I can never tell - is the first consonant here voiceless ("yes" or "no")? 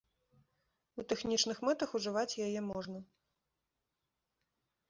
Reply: yes